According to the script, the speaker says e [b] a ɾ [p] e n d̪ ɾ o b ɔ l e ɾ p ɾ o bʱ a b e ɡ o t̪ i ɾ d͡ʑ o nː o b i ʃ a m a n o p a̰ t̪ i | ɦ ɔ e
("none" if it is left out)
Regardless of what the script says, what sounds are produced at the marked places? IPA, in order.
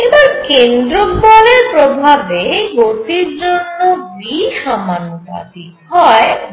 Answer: b, k

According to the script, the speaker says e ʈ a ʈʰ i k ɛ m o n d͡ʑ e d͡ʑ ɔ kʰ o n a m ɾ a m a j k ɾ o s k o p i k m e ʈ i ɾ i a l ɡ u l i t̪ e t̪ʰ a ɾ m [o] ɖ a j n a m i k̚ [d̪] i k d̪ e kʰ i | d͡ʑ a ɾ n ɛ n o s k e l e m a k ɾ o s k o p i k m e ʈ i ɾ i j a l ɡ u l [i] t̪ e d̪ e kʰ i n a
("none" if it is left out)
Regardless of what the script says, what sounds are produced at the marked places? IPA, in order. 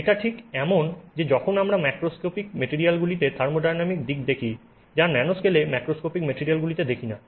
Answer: o, d̪, i

